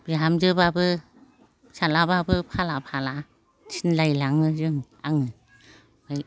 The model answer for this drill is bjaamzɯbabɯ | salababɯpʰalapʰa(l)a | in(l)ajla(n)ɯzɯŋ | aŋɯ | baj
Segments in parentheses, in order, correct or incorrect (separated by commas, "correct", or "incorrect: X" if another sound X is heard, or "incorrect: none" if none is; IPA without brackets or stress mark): correct, correct, incorrect: ŋ